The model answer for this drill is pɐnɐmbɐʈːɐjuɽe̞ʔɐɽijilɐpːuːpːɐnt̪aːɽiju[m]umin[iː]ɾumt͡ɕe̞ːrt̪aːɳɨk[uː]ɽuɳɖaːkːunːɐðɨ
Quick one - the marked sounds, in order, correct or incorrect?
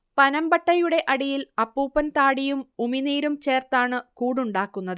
correct, correct, correct

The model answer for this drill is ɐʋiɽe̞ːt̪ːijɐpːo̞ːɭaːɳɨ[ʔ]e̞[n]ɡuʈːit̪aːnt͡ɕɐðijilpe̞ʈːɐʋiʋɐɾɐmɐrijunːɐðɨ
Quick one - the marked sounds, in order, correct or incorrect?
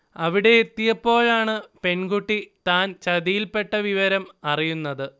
incorrect, correct

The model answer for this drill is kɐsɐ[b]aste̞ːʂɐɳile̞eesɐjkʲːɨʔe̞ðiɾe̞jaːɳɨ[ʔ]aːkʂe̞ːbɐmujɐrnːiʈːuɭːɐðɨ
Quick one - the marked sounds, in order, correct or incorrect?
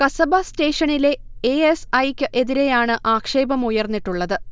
correct, correct

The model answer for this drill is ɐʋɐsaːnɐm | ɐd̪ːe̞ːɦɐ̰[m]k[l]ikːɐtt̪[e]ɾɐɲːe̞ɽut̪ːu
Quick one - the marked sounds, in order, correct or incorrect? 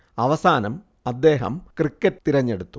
correct, incorrect, incorrect

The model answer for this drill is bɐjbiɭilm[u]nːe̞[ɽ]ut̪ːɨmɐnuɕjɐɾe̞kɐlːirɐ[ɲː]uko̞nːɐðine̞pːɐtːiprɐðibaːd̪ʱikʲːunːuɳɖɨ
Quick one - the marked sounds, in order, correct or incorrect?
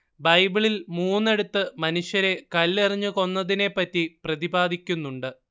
incorrect, correct, correct

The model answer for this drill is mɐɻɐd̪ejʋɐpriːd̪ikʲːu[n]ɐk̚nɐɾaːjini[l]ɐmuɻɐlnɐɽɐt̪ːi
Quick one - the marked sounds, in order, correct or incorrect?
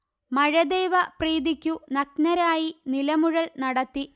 correct, correct

